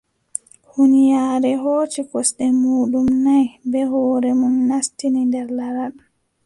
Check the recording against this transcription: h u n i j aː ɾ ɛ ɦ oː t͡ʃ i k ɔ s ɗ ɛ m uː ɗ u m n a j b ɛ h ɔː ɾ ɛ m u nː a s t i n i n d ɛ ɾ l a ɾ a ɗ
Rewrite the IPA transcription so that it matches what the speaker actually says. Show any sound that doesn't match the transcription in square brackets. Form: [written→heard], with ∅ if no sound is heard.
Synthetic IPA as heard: h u n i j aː ɾ ɛ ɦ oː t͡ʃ i k ɔ s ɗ ɛ m uː ɗ u m n a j b ɛ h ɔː ɾ ɛ m u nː a s t i n i n d ɛ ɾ l a ɾ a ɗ